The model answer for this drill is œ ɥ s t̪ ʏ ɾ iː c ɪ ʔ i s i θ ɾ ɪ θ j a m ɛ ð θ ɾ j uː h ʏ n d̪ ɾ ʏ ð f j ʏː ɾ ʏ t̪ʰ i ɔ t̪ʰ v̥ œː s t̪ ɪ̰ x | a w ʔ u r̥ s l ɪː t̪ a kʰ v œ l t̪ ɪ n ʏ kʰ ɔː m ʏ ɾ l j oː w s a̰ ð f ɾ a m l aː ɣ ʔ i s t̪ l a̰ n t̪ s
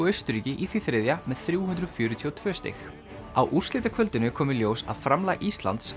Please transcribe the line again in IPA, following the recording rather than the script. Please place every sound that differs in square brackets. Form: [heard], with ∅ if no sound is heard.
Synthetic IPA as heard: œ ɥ s t̪ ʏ ɾ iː c ɪ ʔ i [θ] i θ ɾ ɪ [ð] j a m ɛ ð θ ɾ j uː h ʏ n d̪ ɾ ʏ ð f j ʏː ɾ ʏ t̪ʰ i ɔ t̪ʰ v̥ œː s t̪ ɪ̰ x | a w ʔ u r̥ s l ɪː t̪ a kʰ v œ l t̪ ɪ n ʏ kʰ ɔː m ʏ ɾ l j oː w s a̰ ð f ɾ a m l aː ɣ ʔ i s t̪ l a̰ n t̪ s